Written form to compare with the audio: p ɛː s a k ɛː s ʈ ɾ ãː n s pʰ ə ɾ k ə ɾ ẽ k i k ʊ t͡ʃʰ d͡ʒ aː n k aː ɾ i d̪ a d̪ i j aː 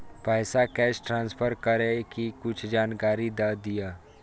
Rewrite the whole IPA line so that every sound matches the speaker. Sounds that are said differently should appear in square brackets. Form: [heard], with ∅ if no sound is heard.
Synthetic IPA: p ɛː s a k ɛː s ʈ ɾ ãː n s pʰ ə ɾ k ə ɾ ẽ k i k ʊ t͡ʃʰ d͡ʒ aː n k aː ɾ i d̪ a d̪ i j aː